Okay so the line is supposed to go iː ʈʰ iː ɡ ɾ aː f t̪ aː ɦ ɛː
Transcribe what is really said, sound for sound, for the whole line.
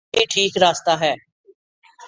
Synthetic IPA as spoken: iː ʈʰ iː k ɾ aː s t̪ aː ɦ ɛː